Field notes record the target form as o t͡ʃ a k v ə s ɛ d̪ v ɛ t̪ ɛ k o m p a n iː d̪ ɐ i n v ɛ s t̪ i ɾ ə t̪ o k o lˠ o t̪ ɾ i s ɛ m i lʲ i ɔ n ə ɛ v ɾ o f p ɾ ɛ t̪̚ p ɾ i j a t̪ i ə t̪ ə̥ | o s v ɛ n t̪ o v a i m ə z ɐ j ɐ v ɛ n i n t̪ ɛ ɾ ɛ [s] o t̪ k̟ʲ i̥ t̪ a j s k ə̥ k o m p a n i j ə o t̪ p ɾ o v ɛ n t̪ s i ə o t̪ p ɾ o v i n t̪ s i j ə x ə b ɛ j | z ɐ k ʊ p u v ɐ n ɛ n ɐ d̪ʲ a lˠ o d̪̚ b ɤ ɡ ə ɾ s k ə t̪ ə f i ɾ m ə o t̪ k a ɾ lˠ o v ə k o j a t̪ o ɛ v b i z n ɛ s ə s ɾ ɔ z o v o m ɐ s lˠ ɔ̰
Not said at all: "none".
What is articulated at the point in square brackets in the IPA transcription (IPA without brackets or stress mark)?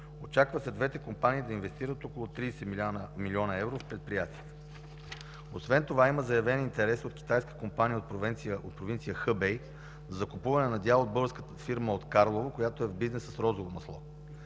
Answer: s